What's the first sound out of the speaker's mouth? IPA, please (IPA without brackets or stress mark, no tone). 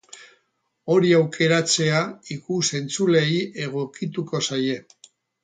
o̞